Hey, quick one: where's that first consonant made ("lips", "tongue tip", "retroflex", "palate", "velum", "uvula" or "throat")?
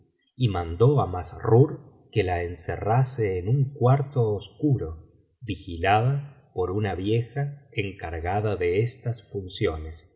lips